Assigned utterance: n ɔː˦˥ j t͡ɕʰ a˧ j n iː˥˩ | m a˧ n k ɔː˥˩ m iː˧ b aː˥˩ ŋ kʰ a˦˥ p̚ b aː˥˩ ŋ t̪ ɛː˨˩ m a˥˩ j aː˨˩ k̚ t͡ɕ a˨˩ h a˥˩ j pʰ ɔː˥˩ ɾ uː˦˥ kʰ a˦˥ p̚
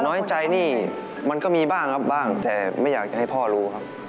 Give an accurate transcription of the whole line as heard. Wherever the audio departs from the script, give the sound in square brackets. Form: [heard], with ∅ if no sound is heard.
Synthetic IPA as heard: n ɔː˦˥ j [t͡ɕ] a˧ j n iː˥˩ | m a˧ n k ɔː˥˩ m iː˧ b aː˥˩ ŋ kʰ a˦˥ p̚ b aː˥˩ ŋ t̪ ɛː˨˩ m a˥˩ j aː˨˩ k̚ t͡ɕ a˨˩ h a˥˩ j pʰ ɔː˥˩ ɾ uː˦˥ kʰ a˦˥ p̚